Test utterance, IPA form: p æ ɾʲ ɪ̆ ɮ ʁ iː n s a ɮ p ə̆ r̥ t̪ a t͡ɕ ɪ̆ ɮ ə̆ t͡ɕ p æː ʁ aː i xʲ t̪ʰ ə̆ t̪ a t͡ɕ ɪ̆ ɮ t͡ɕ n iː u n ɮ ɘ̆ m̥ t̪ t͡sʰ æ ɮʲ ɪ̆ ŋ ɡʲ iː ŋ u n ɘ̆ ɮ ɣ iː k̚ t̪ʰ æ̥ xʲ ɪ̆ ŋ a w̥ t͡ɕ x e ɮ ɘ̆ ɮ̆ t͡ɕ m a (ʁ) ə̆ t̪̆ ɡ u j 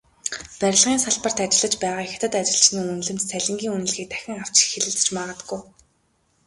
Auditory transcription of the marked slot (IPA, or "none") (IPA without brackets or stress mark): ʁ